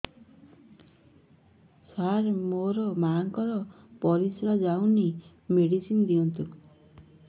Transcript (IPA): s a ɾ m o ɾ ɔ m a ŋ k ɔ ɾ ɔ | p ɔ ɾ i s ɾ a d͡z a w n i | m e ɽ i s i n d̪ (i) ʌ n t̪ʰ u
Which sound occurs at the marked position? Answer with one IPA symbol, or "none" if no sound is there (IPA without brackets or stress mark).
i